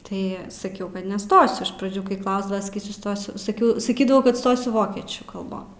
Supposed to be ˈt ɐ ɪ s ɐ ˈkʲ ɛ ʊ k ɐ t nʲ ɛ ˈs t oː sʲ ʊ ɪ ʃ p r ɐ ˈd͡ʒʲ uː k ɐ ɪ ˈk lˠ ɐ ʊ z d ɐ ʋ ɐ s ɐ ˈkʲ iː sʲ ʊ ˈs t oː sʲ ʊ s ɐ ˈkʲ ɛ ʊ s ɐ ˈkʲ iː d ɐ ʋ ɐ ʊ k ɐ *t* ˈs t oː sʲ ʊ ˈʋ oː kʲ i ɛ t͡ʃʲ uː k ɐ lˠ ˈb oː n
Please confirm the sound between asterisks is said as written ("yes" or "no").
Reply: yes